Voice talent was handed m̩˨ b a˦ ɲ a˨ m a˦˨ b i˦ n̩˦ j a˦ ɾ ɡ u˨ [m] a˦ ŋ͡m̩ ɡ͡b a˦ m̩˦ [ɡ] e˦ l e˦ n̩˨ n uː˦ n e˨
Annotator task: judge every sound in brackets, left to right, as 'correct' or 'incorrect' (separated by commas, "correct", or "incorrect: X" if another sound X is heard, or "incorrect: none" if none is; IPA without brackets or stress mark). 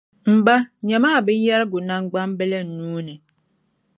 incorrect: n, incorrect: b